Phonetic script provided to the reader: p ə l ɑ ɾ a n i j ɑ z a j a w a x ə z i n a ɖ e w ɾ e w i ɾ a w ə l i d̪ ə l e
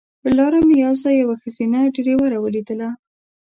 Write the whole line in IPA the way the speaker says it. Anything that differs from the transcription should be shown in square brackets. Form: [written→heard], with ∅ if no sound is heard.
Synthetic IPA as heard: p ə l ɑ ɾ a [n→m] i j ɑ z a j a w a x ə z i n a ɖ e [w→∅] ɾ e w [i→a] ɾ a w ə l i d̪ ə l [e→a]